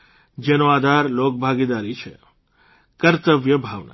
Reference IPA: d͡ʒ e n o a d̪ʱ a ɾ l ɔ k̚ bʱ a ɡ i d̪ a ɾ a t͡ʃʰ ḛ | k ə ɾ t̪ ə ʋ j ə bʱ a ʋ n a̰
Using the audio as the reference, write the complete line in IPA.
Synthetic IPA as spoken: d͡ʒ e n o a d̪ʱ a ɾ l o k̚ bʱ a ɡ i d̪ a ɾ i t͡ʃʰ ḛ | k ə ɾ t̪ ə ʋ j ə bʱ a ʋ n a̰